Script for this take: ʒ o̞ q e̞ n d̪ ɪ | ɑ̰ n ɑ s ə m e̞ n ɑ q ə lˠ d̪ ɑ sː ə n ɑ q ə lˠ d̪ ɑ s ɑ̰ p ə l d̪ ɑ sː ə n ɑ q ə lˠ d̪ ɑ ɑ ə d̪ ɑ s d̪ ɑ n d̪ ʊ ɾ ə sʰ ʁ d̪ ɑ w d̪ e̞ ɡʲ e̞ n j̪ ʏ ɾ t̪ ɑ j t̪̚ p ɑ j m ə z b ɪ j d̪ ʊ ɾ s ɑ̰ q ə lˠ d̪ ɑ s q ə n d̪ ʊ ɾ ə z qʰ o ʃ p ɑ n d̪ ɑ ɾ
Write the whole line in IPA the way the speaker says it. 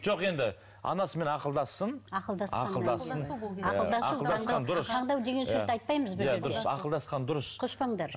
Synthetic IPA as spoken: ʒ o̞ q e̞ n d̪ ɪ | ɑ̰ n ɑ s ə m e̞ n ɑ q ə lˠ d̪ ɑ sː ə n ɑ q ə lˠ d̪ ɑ s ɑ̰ q ə l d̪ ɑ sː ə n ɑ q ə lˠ d̪ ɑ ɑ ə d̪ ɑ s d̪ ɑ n d̪ ʊ ɾ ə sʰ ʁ d̪ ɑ w d̪ e̞ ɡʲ e̞ n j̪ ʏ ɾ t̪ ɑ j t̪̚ p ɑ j m ə z b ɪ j d̪ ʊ ɾ s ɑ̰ q ə lˠ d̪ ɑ s q ɑ n d̪ ʊ ɾ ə s qʰ o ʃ p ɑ ɴ d̪ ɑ ɾ